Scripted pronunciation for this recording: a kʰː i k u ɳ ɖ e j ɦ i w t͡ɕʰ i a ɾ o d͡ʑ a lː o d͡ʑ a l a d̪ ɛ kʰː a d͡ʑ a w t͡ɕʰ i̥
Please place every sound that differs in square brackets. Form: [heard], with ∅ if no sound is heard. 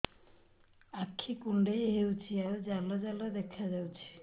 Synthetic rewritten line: a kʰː i k u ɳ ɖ e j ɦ [e] w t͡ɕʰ i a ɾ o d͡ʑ a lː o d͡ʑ a l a d̪ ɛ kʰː a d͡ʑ a w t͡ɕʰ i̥